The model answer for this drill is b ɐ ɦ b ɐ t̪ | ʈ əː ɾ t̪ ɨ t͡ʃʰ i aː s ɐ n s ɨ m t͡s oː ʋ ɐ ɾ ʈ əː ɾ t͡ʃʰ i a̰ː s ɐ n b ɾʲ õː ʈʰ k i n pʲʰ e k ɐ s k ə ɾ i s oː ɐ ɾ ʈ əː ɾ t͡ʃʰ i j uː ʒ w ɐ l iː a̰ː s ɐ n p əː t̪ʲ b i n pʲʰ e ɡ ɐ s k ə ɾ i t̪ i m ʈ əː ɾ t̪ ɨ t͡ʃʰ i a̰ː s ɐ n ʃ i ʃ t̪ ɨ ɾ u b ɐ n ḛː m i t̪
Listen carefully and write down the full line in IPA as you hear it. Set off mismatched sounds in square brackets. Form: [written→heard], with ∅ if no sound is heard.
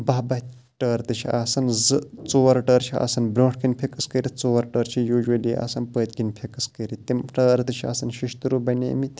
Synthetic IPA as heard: b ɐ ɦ b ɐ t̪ | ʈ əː ɾ t̪ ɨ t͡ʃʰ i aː s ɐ n [s→z] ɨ [m→∅] t͡s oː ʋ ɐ ɾ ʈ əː ɾ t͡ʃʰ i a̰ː s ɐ n b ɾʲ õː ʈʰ k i n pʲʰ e k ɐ s k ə ɾ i [s→t͡s] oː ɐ ɾ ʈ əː ɾ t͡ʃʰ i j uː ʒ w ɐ l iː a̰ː s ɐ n p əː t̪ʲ [b→ɡ] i n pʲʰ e [ɡ→k] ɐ s k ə ɾ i t̪ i m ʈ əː ɾ t̪ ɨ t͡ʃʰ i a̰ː s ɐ n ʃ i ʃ t̪ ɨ ɾ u b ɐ n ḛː m i t̪